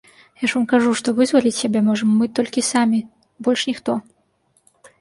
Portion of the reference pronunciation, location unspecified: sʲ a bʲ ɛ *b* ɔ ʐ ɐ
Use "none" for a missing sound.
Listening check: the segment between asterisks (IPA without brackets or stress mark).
m